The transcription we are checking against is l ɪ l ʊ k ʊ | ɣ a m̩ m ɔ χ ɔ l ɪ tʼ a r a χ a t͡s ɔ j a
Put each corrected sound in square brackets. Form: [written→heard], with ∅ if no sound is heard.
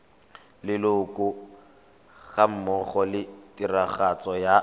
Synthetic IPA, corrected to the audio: l ɪ l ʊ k ʊ | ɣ a m̩ m ɔ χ ɔ l ɪ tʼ [a→i] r a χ a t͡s ɔ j a